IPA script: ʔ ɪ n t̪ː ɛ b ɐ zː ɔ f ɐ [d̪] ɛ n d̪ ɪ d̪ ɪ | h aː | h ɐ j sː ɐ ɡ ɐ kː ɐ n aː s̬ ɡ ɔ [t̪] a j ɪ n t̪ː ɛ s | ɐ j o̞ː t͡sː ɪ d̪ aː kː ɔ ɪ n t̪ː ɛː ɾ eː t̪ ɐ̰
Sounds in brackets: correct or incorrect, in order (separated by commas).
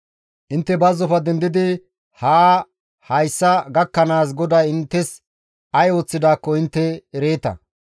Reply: correct, incorrect